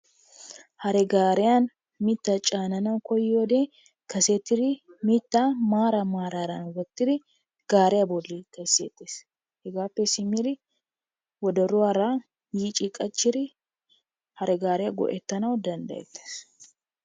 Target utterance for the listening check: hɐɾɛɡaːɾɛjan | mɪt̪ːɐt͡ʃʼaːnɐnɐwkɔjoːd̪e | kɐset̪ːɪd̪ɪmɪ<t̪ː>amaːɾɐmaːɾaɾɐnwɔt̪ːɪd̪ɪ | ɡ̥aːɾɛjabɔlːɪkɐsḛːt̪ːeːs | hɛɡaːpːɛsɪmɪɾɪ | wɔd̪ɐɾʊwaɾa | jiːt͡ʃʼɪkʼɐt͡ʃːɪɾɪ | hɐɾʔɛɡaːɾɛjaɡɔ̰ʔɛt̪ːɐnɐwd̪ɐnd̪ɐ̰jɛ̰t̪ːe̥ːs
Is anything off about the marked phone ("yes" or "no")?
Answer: no